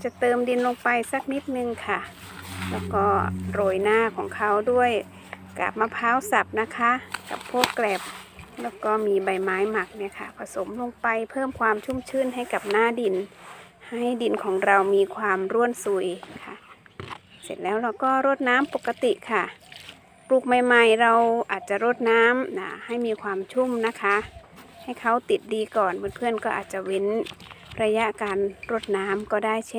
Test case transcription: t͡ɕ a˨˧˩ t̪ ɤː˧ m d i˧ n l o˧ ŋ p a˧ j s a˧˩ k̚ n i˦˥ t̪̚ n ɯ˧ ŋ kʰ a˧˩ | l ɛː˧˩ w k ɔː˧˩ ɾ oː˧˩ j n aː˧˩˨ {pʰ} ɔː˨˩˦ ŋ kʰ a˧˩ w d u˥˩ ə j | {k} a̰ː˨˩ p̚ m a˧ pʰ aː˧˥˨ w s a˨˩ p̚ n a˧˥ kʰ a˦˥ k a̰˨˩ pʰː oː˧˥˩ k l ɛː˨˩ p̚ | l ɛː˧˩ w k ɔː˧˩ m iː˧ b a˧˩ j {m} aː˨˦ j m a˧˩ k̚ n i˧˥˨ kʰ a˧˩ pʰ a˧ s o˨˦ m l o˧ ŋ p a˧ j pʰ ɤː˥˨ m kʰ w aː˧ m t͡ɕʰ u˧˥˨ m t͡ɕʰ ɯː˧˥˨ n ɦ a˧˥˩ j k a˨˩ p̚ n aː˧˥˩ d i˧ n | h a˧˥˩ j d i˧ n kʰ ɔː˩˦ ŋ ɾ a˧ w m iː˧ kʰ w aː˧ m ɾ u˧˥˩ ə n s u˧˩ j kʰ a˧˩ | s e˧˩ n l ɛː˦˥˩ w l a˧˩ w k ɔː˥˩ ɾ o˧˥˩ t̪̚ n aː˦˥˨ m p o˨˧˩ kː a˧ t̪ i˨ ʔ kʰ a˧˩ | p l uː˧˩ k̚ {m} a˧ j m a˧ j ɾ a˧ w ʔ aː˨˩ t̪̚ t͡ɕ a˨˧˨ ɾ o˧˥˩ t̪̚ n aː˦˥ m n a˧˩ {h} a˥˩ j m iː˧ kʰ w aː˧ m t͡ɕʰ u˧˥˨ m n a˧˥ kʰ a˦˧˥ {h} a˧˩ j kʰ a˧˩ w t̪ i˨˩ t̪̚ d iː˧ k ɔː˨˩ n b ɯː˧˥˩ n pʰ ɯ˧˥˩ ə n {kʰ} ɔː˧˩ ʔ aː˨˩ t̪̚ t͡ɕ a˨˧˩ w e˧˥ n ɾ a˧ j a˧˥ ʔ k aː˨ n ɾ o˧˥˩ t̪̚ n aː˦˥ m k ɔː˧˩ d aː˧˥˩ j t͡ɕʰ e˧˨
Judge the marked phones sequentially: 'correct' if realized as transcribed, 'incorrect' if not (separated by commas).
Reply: incorrect, correct, correct, correct, correct, correct, incorrect